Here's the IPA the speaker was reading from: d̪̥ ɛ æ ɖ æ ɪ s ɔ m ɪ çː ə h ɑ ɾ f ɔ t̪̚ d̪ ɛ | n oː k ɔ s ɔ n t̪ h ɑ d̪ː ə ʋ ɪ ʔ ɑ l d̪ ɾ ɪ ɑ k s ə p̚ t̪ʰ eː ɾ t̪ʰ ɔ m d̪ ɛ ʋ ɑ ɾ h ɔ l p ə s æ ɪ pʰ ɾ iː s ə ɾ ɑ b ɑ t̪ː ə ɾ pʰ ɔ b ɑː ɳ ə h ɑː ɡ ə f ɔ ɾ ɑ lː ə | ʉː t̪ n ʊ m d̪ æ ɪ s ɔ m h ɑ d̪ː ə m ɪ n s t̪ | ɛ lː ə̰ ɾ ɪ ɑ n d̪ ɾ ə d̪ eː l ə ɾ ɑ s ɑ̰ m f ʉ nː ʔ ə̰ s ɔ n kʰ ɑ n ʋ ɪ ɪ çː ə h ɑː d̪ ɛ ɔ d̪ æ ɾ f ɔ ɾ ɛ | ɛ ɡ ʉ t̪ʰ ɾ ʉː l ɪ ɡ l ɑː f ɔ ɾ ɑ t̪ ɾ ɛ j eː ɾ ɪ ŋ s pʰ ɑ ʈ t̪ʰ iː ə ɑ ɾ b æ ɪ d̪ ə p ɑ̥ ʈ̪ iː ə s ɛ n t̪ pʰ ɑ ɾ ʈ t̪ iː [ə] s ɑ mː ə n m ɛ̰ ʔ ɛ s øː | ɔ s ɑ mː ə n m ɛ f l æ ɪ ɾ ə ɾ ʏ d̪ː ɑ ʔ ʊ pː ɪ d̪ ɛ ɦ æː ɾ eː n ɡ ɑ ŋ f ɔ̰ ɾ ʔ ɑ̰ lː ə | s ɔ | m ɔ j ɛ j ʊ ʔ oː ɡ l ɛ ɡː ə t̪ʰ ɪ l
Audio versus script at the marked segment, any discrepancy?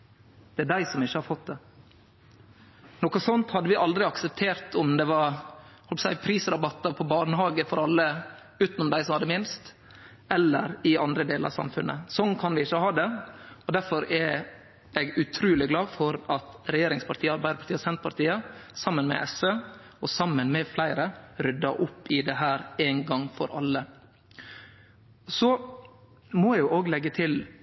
no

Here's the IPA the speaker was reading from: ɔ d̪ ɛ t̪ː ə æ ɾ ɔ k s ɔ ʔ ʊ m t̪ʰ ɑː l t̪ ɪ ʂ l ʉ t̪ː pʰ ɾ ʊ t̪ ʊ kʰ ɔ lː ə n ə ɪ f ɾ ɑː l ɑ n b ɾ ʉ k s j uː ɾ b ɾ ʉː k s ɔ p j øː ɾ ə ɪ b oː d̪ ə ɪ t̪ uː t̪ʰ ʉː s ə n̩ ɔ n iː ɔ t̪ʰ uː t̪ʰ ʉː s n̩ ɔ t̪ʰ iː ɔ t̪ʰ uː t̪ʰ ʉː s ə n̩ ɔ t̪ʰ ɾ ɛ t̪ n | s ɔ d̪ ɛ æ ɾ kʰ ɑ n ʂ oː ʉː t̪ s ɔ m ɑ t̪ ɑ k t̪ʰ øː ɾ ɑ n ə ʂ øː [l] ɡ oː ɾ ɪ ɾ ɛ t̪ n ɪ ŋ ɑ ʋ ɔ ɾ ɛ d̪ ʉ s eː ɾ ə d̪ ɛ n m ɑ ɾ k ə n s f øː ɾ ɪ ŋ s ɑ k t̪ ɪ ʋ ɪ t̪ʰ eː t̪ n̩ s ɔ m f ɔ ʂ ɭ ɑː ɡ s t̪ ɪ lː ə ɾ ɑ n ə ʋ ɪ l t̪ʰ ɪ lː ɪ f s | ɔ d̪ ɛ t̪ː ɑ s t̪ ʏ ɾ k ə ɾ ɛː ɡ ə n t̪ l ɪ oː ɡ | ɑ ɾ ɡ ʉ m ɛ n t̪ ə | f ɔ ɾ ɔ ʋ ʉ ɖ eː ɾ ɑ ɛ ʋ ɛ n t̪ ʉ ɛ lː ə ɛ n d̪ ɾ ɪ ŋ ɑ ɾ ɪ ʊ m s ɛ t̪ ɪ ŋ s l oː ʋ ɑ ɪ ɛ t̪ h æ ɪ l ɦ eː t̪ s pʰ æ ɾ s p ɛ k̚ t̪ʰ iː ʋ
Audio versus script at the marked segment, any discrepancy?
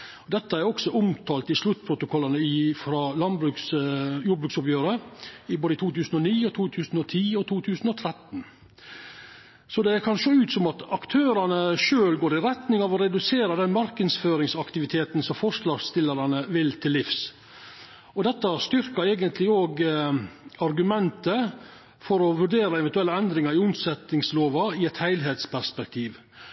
no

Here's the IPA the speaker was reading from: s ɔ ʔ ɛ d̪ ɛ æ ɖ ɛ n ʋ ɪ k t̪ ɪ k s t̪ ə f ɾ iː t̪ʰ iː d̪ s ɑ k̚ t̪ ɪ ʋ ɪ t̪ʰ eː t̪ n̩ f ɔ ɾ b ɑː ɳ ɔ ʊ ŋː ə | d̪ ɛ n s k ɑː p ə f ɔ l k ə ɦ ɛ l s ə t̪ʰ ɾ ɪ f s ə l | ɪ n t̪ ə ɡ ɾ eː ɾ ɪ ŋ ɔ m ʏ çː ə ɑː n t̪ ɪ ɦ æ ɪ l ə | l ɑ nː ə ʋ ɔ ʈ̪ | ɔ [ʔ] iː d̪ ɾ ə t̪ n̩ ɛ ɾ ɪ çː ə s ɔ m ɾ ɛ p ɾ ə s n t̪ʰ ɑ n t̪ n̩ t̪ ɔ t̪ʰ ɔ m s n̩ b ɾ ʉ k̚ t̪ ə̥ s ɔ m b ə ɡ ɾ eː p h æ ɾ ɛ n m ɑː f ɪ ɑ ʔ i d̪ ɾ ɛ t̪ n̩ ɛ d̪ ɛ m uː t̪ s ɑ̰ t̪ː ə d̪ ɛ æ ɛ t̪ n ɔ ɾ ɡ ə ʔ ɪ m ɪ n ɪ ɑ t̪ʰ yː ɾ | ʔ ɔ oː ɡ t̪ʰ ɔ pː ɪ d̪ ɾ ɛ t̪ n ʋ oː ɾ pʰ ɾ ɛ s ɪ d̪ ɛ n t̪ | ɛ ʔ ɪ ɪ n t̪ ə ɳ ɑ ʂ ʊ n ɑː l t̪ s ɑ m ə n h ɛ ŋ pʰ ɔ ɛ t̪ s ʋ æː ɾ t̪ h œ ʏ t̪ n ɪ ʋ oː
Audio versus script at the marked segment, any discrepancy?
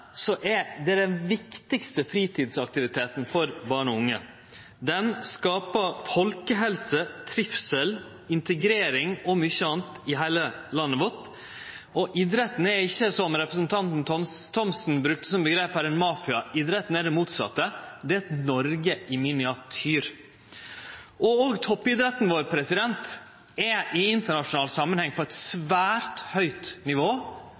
no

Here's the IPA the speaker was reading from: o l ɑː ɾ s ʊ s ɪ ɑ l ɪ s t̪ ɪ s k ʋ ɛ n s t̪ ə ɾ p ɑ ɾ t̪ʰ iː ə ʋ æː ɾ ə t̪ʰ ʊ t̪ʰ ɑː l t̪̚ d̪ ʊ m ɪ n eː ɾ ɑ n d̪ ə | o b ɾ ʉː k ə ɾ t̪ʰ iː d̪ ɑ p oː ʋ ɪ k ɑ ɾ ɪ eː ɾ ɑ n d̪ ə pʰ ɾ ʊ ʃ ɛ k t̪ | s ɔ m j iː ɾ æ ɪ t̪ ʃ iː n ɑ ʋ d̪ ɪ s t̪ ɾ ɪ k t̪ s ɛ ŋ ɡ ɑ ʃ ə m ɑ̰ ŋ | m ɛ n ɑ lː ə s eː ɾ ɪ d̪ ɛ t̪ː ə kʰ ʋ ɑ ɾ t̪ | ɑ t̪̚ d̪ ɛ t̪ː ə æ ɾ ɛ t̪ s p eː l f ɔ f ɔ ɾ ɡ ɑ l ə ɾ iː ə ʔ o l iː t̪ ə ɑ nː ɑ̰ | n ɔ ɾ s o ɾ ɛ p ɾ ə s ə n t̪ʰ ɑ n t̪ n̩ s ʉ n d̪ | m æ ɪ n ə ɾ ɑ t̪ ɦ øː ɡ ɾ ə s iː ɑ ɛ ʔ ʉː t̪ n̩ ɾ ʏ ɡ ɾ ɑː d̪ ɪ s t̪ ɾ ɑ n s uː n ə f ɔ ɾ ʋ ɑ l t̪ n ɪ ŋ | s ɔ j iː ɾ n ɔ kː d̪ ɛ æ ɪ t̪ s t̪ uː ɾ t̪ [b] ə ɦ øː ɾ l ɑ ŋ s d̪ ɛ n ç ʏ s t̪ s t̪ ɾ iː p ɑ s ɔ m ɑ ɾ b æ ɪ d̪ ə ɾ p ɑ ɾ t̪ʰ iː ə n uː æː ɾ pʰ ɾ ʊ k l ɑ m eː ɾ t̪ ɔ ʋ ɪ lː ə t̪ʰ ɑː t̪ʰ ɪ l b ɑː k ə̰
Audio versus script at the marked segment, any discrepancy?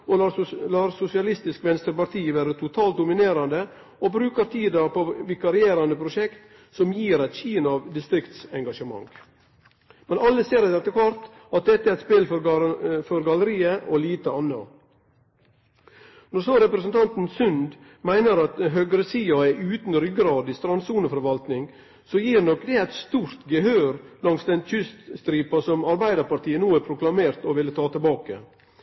yes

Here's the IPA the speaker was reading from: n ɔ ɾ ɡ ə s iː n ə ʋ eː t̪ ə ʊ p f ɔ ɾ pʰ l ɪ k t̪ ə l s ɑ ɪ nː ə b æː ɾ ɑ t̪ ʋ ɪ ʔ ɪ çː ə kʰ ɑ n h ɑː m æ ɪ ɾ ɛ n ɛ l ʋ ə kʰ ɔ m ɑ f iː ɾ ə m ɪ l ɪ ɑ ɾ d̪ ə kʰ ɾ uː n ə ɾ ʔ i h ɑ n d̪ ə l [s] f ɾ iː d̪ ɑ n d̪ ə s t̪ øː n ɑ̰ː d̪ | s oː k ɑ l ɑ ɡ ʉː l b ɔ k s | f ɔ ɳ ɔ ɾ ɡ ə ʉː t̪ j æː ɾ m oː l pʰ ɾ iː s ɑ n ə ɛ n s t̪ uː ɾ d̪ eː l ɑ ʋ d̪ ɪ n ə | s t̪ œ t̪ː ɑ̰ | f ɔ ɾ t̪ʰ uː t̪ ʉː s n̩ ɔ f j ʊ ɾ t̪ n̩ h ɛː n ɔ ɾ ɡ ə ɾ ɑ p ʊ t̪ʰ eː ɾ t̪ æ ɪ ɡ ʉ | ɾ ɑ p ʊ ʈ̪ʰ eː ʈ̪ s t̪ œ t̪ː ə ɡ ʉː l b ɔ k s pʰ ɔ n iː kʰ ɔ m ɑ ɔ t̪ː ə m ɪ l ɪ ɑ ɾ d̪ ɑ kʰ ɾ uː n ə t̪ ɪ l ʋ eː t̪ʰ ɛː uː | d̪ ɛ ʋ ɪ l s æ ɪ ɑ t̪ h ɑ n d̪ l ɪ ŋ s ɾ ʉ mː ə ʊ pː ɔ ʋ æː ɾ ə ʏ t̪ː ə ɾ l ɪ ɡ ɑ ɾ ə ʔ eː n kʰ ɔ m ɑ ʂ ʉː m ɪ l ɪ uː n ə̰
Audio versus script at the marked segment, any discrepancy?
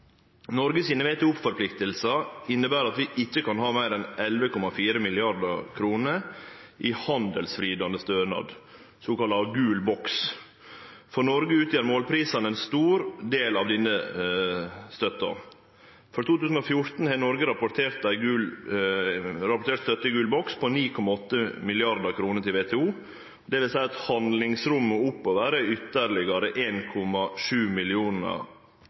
no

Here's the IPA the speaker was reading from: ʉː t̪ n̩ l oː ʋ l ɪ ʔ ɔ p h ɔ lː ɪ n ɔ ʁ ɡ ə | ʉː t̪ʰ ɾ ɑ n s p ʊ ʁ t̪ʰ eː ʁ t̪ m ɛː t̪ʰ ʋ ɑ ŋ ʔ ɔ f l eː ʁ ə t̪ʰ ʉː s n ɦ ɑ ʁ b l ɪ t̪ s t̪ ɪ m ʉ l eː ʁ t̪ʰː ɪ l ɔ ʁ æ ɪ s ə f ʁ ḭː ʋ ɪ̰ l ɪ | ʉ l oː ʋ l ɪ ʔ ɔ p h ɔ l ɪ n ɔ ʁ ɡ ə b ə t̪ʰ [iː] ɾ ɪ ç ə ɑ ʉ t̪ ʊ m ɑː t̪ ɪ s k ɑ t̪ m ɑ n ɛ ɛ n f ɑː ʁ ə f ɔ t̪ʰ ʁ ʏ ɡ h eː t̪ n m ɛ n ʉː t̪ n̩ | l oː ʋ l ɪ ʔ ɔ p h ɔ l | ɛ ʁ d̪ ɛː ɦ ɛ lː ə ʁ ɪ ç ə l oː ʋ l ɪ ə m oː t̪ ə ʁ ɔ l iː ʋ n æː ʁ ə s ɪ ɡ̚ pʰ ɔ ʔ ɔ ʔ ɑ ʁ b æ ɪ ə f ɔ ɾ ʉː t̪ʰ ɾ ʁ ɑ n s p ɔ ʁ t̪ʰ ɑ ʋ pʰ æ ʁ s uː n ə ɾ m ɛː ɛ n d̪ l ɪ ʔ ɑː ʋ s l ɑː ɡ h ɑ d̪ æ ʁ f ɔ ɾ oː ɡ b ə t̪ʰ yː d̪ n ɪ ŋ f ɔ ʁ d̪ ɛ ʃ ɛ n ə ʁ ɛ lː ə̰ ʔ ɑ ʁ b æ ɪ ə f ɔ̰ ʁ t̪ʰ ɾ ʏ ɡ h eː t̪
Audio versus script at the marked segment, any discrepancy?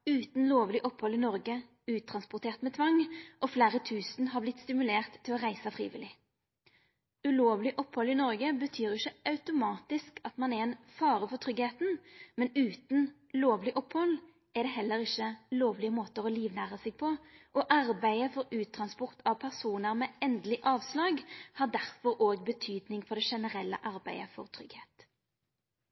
yes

